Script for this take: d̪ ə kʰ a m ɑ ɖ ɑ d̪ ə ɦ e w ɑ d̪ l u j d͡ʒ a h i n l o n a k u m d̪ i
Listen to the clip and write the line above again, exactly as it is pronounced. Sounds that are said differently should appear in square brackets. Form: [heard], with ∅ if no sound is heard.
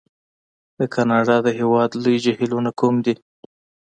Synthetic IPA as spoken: d̪ ə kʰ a [n] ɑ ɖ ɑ d̪ ə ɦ e w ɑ d̪ l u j d͡ʒ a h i [∅] l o n a k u m d̪ i